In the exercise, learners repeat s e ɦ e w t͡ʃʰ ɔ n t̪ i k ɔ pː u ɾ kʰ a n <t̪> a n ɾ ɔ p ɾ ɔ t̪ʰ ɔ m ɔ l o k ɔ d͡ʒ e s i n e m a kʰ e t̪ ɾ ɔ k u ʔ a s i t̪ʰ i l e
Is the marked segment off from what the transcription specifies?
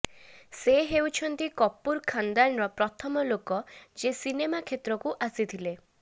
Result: yes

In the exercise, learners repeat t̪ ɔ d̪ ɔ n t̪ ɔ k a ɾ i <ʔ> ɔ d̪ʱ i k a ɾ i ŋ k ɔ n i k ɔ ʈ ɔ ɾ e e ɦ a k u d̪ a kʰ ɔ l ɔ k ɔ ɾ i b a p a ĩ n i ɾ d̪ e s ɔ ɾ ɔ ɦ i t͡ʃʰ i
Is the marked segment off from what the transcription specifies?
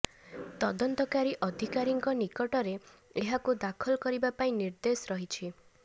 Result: no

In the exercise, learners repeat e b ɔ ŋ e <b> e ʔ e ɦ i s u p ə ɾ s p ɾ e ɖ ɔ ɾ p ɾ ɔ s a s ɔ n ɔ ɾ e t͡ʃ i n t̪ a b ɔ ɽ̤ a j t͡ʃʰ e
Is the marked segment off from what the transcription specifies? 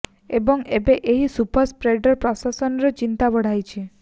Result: no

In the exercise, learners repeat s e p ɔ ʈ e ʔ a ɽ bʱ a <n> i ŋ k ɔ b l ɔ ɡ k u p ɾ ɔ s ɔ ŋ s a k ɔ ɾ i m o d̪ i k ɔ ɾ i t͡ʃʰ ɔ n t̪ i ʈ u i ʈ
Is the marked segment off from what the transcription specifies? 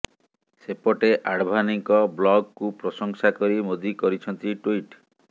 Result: no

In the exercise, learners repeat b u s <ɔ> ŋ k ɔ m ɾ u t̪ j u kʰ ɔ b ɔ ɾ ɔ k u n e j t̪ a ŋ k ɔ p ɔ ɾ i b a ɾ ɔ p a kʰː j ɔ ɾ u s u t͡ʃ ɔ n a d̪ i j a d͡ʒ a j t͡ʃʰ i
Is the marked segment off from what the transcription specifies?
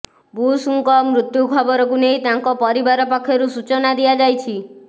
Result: yes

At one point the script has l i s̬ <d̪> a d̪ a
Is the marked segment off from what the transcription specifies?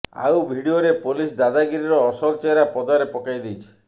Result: no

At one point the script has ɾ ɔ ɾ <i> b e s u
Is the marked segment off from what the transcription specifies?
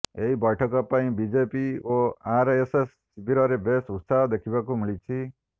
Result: yes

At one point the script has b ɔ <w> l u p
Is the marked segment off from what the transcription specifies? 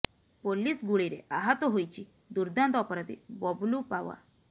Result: yes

